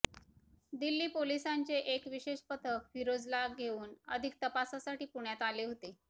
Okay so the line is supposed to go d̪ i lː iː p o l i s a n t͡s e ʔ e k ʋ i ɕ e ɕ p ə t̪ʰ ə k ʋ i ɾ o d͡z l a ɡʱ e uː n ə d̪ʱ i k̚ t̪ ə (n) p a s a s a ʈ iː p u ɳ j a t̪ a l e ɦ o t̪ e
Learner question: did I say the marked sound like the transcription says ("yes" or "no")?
no